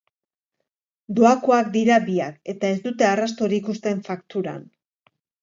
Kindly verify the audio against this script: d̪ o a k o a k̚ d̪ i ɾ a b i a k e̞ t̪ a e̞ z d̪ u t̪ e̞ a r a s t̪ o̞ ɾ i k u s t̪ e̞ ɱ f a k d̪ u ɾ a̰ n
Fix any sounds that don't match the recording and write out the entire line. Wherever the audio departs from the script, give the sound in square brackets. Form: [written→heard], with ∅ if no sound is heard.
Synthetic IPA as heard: d̪ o a k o a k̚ d̪ i ɾ a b i a k e̞ t̪ a e̞ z d̪ u t̪ e̞ a r a s t̪ o̞ ɾ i k u s t̪ e̞ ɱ f a k [d̪→t̪] u ɾ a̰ n